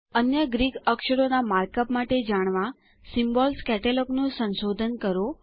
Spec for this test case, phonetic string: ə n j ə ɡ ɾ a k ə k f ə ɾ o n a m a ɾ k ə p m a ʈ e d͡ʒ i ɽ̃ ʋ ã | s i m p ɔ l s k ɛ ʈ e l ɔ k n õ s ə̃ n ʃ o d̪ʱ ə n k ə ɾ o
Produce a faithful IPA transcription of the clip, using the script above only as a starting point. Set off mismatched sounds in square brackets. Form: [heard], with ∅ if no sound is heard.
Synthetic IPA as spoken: ə n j ə ɡ ɾ [i] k ə k [ʃ] ə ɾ o n a m a ɾ k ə p m a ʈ e d͡ʒ [a] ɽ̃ ʋ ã | s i m [b] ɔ l s k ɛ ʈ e l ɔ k n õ s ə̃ n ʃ o d̪ʱ ə n k ə ɾ o